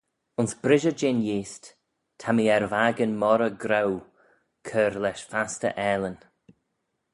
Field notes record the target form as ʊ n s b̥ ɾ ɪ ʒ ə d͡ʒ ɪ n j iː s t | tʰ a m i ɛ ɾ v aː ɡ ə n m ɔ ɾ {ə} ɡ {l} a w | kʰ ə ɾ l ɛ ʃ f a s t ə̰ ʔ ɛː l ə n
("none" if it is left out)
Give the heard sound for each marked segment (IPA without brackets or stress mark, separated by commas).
ə, ɾ